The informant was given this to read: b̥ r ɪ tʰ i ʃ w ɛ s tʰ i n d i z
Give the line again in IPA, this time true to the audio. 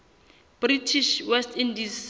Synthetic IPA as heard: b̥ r i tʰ i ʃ w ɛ s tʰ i n d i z